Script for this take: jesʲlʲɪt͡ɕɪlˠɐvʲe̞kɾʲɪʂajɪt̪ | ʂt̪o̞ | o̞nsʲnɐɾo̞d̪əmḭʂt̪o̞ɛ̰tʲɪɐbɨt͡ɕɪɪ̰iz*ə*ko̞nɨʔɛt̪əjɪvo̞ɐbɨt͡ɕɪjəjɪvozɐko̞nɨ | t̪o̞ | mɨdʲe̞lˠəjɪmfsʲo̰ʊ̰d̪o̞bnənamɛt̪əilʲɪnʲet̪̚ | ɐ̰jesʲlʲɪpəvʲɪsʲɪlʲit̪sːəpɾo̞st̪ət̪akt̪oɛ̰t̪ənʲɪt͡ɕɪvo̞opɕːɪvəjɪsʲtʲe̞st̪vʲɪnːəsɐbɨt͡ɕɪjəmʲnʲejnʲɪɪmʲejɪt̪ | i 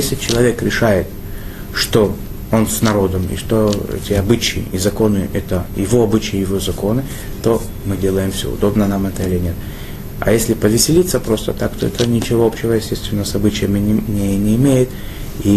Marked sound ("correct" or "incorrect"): incorrect